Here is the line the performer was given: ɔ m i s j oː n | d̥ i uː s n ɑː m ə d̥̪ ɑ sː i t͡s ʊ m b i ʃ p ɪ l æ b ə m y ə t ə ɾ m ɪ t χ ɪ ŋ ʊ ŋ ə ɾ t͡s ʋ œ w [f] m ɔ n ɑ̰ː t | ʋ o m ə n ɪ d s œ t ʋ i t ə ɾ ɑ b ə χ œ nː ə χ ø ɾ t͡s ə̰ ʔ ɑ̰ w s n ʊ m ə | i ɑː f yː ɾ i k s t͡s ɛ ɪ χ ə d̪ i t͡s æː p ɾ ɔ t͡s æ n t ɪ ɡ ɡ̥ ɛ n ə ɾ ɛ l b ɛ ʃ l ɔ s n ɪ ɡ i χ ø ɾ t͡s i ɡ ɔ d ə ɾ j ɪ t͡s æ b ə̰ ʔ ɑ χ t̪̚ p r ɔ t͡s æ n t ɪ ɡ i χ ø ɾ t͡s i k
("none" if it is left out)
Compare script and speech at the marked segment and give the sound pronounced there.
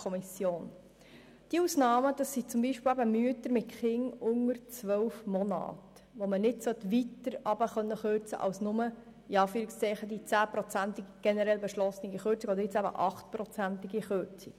f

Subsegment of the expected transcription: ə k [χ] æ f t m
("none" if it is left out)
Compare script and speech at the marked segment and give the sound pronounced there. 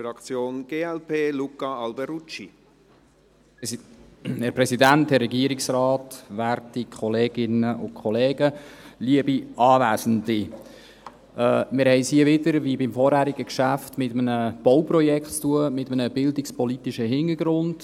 ʃ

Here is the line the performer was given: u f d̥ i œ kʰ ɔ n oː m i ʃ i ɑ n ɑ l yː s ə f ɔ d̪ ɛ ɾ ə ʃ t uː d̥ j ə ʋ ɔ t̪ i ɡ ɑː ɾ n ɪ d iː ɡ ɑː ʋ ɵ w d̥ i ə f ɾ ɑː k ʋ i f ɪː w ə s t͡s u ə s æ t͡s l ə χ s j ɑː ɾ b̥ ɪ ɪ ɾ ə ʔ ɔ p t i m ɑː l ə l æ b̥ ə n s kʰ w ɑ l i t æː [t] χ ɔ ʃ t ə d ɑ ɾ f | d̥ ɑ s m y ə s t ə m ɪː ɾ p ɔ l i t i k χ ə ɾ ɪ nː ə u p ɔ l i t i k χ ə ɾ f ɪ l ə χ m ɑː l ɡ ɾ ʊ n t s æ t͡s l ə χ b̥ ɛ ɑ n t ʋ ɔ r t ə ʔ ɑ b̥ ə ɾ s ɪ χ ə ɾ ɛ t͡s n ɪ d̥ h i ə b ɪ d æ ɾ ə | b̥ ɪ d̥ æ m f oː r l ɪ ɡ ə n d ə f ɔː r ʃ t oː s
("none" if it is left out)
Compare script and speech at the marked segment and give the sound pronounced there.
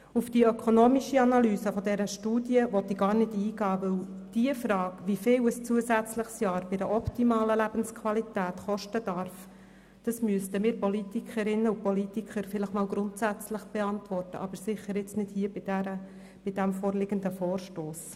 t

